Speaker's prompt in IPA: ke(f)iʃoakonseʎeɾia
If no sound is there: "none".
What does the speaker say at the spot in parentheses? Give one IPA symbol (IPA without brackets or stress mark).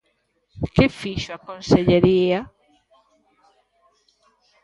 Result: f